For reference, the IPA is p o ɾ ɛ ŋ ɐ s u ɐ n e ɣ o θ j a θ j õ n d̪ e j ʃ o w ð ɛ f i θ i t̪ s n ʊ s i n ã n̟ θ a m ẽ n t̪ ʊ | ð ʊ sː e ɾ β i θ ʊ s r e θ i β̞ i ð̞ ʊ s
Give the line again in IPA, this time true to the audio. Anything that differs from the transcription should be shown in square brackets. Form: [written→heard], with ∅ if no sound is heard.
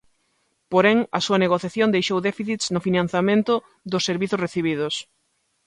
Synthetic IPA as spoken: p o ɾ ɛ ŋ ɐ s u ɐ n e ɣ o θ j a θ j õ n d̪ e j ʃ o w ð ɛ f i θ i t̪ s n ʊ [s→f] i n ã n̟ θ a m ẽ n t̪ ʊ | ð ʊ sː e ɾ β i θ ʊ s r e θ i β̞ i ð̞ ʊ s